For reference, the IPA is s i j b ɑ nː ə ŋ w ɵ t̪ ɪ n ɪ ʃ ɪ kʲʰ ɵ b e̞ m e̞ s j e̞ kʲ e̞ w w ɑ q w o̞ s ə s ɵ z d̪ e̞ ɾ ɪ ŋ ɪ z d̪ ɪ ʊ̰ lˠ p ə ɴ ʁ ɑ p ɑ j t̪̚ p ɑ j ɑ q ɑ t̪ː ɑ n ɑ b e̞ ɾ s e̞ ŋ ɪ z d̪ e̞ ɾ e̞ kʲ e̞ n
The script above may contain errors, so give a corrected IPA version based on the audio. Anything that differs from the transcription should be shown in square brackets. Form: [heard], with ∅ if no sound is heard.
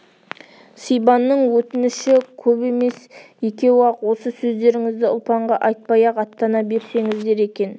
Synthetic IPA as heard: s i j b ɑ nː ə [ɴ] w ɵ t̪ ɪ n ɪ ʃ ɪ kʲʰ ɵ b e̞ m e̞ s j e̞ kʲ e̞ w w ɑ q w o̞ s ə s ɵ z d̪ e̞ ɾ ɪ ŋ ɪ z d̪ ɪ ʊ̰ lˠ p [ɑ] ɴ ʁ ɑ [ʔ] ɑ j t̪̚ p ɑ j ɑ q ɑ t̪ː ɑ n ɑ b e̞ ɾ s e̞ ŋ ɪ z d̪ e̞ ɾ e̞ kʲ e̞ n

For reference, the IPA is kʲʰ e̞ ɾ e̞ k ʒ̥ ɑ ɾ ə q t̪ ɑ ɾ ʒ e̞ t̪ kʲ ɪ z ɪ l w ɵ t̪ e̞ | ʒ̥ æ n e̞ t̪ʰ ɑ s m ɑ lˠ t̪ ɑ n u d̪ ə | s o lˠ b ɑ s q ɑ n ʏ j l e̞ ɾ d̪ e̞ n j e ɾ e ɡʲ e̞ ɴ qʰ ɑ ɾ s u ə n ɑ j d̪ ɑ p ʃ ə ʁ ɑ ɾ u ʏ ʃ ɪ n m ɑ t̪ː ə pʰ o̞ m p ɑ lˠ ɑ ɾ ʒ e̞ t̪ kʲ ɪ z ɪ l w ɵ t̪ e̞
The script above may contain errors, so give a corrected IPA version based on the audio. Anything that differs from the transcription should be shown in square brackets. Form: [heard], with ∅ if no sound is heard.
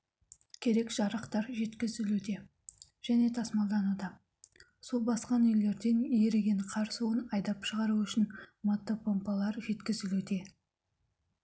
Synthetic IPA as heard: kʲʰ e̞ ɾ e̞ k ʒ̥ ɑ ɾ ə q t̪ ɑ ɾ ʒ e̞ t̪ kʲ ɪ z ɪ l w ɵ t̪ e̞ | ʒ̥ æ n e̞ t̪ʰ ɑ s m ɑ lˠ [d̪] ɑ n u d̪ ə | s o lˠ b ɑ s q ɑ n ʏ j l e̞ ɾ d̪ e̞ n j e ɾ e ɡʲ e̞ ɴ qʰ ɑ ɾ s u ə n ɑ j d̪ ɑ p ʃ ə ʁ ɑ ɾ u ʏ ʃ ɪ n m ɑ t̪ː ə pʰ o̞ m p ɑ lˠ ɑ ɾ ʒ e̞ t̪ kʲ ɪ z ɪ l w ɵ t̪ e̞

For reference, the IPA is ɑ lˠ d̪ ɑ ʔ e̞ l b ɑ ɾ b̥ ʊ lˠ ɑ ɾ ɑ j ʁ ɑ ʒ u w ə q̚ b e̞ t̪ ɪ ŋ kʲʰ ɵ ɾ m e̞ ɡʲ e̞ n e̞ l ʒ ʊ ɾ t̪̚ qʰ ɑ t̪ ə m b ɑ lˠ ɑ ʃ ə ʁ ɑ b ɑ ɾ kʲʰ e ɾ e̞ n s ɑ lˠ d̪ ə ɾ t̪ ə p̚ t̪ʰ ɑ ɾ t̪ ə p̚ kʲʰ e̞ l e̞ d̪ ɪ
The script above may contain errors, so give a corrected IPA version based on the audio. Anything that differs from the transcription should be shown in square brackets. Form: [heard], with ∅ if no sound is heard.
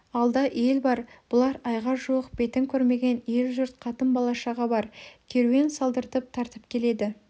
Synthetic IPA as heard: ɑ lˠ d̪ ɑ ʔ e̞ l b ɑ ɾ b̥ ʊ lˠ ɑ ɾ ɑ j ʁ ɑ ʒ u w ə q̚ b e̞ t̪ ɪ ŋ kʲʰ ɵ ɾ m e̞ ɡʲ e̞ n e̞ l ʒ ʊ ɾ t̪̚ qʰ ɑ t̪ ə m b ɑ lˠ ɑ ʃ [ɑ] ʁ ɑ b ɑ ɾ kʲʰ e ɾ e̞ n s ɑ lˠ d̪ ə ɾ t̪ ə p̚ t̪ʰ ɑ ɾ t̪ ə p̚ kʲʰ e̞ l e̞ d̪ ɪ

